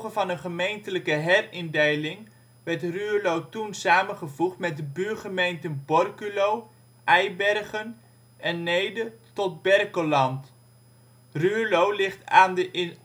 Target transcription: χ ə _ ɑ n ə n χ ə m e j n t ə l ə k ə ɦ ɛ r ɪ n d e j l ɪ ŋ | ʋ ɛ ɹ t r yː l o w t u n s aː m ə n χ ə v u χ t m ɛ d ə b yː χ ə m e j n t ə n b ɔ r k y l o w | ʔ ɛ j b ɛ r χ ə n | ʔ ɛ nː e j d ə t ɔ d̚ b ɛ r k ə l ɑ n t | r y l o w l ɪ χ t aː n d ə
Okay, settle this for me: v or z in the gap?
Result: v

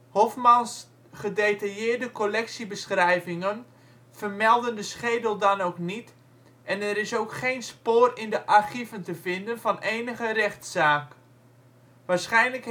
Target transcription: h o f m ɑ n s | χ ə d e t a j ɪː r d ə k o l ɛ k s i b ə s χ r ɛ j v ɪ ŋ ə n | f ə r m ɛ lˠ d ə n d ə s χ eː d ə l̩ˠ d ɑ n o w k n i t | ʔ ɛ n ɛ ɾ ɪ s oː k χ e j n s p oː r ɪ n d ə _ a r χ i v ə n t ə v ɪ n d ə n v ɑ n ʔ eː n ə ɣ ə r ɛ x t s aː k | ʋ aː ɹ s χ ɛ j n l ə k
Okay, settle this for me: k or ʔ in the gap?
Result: ʔ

